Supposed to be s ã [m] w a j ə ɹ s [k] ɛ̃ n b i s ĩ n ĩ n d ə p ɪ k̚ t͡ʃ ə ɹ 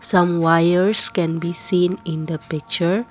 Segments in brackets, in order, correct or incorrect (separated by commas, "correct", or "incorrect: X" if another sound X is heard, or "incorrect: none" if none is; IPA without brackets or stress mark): correct, correct